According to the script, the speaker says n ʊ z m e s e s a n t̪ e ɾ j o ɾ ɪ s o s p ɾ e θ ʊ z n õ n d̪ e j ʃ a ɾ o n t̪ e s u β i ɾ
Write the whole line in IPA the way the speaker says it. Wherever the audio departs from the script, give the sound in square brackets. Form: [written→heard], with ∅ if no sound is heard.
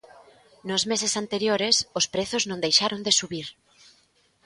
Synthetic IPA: n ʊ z m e s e s a n t̪ e ɾ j o ɾ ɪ s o s p ɾ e θ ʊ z n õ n d̪ e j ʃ a ɾ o n [t̪→d̪] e s u β i ɾ